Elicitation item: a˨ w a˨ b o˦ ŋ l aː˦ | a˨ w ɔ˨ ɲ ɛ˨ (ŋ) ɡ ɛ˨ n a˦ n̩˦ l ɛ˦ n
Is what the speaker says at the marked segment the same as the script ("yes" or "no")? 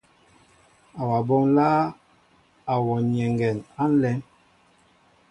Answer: yes